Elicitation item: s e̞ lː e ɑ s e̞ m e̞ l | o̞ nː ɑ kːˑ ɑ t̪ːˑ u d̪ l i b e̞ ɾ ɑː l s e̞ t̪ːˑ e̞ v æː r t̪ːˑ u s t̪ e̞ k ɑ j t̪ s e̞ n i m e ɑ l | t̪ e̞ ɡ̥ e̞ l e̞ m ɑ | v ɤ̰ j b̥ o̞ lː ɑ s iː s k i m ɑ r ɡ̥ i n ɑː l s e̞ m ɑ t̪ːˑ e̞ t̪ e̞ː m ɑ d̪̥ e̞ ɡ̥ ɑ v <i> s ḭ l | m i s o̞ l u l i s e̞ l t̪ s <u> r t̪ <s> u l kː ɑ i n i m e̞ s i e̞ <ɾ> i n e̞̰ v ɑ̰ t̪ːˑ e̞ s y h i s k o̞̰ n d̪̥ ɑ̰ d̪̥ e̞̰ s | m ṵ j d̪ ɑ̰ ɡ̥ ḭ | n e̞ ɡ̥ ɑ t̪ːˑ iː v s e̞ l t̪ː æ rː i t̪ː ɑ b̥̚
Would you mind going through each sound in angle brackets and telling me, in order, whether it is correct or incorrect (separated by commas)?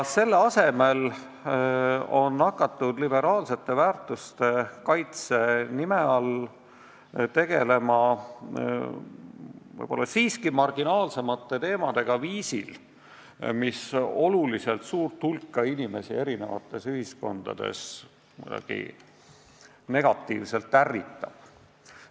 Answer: incorrect, incorrect, incorrect, correct